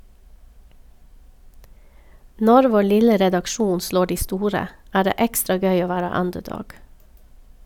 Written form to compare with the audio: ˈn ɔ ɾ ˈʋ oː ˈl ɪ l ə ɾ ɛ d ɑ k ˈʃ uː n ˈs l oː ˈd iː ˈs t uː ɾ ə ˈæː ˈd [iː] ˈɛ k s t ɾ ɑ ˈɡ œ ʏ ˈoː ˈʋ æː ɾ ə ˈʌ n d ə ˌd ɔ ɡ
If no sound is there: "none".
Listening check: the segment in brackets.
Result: eː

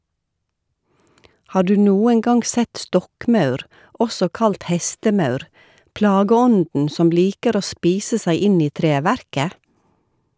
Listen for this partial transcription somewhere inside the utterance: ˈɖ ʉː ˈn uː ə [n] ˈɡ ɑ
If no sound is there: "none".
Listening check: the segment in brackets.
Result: ŋ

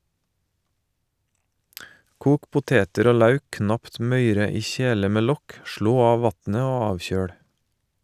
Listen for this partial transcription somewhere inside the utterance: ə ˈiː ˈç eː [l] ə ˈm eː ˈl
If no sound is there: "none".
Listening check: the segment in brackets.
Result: l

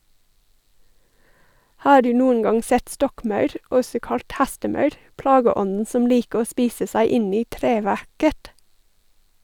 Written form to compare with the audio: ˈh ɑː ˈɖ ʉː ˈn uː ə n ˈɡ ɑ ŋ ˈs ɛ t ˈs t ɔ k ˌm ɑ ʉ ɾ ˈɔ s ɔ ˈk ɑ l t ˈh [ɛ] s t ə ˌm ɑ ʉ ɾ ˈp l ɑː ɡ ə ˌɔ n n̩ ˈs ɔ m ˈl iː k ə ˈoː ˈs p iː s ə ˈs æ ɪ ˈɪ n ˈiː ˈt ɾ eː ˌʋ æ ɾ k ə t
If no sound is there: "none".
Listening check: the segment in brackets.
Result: æ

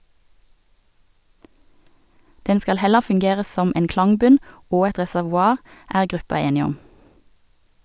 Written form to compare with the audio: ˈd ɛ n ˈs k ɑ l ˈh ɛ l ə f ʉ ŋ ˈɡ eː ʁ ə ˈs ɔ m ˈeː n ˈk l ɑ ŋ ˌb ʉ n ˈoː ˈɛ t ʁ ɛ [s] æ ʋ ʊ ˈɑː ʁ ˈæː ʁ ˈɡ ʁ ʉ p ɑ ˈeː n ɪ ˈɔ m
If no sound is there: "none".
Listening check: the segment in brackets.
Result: s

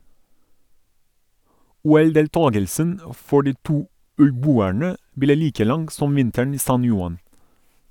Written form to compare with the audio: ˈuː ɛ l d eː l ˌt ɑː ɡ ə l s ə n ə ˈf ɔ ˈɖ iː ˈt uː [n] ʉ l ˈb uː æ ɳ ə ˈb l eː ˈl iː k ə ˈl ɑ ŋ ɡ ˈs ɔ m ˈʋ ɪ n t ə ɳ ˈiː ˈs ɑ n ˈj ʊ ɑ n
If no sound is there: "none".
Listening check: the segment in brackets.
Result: none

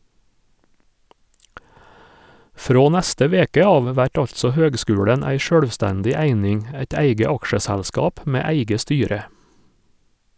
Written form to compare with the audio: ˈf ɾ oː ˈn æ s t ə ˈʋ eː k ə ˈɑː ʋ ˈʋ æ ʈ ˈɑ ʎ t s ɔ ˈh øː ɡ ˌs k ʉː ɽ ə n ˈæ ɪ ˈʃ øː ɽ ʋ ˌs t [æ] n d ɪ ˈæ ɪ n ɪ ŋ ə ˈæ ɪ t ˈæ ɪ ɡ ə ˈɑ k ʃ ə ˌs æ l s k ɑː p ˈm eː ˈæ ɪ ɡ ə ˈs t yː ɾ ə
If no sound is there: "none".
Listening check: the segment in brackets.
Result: æ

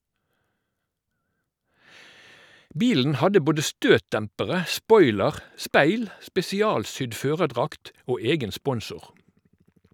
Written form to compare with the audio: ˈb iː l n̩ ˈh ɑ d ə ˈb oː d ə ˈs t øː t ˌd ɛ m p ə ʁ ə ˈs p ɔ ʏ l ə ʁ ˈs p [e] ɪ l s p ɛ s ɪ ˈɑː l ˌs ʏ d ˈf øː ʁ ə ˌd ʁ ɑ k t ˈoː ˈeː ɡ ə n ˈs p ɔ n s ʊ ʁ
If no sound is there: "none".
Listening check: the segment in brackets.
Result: æ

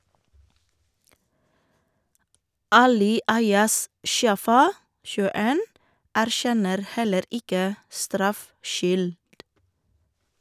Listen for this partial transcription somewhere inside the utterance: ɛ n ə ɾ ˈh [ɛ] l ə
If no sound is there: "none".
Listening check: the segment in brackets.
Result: ɛ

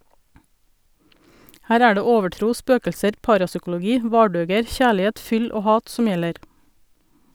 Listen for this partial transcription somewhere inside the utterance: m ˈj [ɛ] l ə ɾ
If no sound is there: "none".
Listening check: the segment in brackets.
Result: ɛ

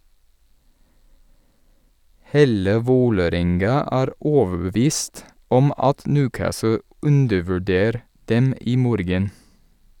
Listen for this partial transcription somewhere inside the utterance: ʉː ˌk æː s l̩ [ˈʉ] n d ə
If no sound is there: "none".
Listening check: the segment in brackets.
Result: ʉ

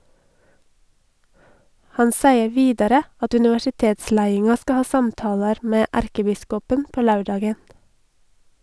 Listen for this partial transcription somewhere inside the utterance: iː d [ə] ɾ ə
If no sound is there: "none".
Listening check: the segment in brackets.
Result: ɑ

